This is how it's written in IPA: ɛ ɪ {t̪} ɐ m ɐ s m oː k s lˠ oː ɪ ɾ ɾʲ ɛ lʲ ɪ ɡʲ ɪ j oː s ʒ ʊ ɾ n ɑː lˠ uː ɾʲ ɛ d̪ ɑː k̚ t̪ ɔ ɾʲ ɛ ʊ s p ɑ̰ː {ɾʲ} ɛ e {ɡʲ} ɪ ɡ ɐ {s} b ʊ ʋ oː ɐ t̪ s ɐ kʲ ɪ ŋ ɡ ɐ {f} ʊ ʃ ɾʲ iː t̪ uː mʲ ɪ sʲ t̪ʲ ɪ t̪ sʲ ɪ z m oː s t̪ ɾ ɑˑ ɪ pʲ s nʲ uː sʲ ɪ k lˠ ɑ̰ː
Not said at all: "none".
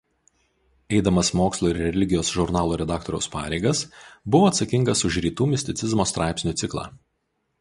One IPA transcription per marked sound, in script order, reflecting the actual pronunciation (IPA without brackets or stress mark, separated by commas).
d̪, ɾʲ, none, s, s